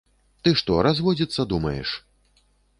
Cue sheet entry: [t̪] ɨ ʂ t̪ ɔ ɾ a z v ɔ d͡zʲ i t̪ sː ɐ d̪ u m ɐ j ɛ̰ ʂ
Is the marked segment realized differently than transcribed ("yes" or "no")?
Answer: no